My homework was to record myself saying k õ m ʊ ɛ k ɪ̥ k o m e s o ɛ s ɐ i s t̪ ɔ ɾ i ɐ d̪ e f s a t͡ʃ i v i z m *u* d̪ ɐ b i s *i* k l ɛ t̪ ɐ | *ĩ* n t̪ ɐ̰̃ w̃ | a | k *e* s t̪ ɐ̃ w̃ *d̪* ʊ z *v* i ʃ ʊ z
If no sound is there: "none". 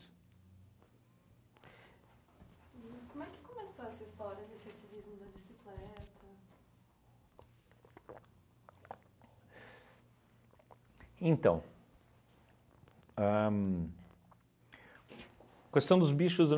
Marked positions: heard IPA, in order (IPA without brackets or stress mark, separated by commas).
ʊ, i, ẽ, e, d̪, b